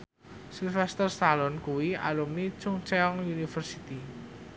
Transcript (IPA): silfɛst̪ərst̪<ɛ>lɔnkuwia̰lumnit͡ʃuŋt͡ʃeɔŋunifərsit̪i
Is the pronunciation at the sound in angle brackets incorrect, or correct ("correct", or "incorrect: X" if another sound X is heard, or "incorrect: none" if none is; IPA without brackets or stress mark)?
incorrect: a